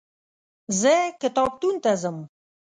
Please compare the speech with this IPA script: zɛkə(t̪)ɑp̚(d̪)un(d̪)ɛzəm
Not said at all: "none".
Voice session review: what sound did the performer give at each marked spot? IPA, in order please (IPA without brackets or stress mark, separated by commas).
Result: t̪, t̪, t̪